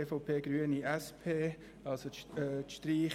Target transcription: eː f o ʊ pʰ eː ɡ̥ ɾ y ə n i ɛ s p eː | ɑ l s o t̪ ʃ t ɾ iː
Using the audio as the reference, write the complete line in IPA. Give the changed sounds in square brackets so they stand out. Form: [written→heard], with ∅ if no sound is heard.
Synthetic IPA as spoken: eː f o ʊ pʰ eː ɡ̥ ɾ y ə n i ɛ s [p→pʰ] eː | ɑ l s o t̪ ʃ t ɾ iː